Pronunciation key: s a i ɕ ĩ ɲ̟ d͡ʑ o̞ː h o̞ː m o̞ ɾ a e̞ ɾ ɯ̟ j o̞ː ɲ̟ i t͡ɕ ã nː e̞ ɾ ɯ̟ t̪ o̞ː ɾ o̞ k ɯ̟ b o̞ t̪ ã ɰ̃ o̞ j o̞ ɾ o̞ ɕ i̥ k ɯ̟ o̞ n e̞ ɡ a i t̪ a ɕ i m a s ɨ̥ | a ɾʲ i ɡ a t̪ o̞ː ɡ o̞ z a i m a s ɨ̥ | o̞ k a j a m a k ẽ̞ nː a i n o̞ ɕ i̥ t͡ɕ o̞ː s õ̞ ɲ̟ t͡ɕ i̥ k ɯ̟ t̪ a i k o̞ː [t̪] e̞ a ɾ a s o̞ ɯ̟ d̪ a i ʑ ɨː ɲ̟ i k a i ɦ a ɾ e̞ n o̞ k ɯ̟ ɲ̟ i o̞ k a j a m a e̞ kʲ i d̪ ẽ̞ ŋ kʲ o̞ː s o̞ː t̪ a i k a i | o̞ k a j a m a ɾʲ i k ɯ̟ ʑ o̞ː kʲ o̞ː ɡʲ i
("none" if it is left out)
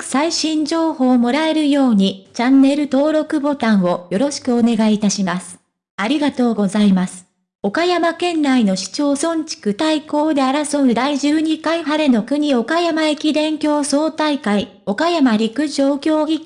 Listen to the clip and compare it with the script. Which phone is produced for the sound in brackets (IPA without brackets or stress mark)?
d̪